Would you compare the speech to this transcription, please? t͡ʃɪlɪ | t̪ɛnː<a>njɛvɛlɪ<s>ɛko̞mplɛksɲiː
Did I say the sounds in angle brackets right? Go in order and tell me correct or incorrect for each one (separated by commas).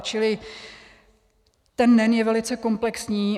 incorrect, incorrect